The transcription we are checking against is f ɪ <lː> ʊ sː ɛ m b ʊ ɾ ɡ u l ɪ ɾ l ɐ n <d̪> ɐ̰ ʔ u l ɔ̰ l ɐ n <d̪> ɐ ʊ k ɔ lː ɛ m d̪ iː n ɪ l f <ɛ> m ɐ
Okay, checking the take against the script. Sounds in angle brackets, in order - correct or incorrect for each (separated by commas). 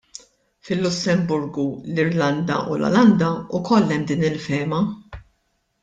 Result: correct, correct, correct, incorrect